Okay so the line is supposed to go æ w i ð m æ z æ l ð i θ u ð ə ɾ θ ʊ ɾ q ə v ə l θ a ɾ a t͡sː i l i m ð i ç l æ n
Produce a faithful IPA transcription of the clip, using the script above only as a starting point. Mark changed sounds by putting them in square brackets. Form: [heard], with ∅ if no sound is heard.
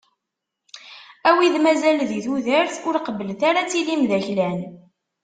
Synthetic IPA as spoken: æ w i ð m æ z æ l ð i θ u ð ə ɾ θ ʊ ɾ q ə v ə l θ a ɾ a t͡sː i l i m ð [æ] ç l æ n